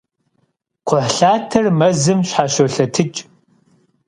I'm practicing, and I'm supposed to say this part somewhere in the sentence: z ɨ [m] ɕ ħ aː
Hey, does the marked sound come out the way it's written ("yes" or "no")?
yes